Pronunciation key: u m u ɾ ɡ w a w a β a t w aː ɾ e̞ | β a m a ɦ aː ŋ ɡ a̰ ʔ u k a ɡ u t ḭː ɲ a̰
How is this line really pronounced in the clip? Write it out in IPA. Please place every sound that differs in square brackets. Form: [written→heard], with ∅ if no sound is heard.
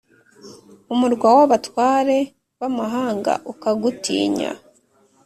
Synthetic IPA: u m u ɾ ɡ w a w a β a t w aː ɾ e̞ | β a m a ɦ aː ŋ ɡ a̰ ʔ u k a ɡ u t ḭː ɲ a̰